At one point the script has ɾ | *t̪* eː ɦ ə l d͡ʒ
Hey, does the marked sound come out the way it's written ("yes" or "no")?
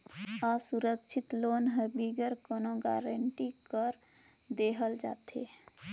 no